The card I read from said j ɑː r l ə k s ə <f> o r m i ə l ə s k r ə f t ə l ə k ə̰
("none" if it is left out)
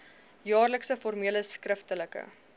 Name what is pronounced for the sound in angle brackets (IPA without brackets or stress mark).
f